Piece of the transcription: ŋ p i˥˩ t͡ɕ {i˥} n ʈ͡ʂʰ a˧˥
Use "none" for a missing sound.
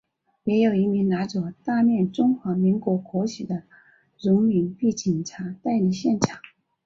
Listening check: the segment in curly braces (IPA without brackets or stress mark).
i˨˩